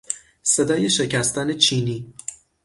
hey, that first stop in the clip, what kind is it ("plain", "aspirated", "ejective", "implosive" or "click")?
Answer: plain